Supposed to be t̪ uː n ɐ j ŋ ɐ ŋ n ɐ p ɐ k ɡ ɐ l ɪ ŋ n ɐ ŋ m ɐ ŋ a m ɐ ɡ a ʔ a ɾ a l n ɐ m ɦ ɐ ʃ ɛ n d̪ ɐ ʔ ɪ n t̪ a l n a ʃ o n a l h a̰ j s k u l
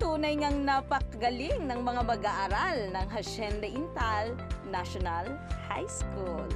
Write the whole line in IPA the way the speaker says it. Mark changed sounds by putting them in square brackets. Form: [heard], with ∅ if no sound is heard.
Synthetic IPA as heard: t̪ uː n ɐ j ŋ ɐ ŋ n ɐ p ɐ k ɡ ɐ l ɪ ŋ n ɐ ŋ m ɐ ŋ a m ɐ ɡ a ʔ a ɾ a l n ɐ [ŋ] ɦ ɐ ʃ ɛ n d̪ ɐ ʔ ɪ n t̪ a l n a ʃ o n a l h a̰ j s k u l